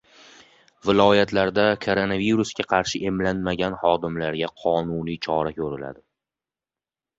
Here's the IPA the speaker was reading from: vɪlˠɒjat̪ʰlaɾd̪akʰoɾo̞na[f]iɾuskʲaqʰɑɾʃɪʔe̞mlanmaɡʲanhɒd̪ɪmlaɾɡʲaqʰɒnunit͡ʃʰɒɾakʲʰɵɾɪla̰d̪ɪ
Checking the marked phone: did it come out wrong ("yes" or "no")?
yes